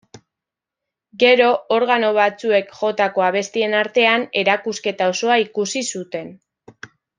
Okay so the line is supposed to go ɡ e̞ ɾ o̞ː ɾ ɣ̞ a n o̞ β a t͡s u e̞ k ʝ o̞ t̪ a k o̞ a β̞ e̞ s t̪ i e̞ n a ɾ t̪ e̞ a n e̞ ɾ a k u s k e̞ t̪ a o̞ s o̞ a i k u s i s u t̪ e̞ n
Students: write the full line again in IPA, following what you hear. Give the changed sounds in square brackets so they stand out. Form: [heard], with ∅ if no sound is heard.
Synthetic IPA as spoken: ɡ e̞ ɾ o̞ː ɾ ɣ̞ a n o̞ β a t͡s u e̞ k ʝ o̞ t̪ a k o̞ a β̞ e̞ s t̪ i e̞ n a ɾ t̪ e̞ a n e̞ ɾ a k u s k e̞ t̪ a o̞ s o̞ a i k u s i s u t̪ e̞ n